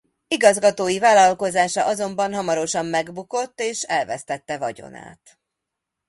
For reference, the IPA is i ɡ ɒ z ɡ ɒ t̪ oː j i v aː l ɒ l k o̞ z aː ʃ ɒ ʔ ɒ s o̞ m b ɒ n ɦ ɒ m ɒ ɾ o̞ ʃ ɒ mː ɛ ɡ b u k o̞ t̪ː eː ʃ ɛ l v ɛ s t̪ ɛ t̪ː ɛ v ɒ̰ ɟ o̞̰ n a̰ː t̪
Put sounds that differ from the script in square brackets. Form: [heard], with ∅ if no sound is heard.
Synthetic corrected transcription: i ɡ ɒ z ɡ ɒ t̪ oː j i v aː l ɒ l k o̞ z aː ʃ ɒ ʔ ɒ [z] o̞ m b ɒ n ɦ ɒ m ɒ ɾ o̞ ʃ ɒ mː ɛ ɡ b u k o̞ t̪ː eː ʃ ɛ l v ɛ s t̪ ɛ t̪ː ɛ v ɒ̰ ɟ o̞̰ n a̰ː t̪